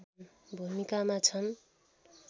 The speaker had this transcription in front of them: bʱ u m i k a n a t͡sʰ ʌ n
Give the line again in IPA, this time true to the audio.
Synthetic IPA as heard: bʱ u m i k a m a t͡sʰ ʌ n